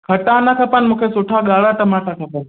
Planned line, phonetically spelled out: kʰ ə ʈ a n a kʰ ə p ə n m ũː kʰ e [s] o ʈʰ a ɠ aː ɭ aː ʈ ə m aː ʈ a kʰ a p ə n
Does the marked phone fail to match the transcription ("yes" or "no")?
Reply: no